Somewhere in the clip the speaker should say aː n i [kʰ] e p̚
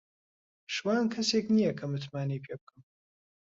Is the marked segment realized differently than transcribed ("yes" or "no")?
yes